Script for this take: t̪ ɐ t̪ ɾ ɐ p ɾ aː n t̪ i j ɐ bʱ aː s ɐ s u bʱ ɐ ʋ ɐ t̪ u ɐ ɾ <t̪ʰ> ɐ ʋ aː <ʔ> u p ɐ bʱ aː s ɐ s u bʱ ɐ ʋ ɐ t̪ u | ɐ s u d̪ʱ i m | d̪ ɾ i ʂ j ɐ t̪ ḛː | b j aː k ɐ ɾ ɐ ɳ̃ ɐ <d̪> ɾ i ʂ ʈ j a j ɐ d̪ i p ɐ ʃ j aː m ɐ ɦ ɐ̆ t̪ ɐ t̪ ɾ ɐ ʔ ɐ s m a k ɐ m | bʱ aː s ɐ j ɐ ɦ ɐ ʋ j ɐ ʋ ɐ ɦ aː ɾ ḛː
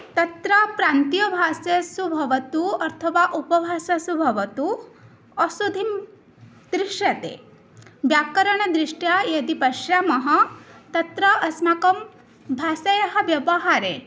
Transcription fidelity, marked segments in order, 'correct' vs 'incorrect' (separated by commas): correct, correct, correct